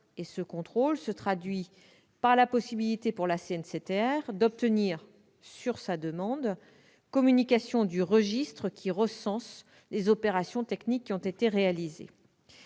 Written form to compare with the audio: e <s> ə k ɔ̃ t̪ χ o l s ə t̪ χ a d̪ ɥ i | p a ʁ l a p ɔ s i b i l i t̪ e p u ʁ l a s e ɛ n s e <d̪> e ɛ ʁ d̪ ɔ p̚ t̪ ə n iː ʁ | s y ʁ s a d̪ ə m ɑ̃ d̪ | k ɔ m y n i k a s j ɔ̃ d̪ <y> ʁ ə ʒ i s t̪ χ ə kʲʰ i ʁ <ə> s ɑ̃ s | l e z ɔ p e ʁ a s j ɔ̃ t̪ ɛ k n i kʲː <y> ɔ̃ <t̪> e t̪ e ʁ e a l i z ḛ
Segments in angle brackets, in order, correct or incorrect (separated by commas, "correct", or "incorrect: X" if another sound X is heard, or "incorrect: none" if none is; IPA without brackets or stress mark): correct, incorrect: t̪, correct, correct, incorrect: i, correct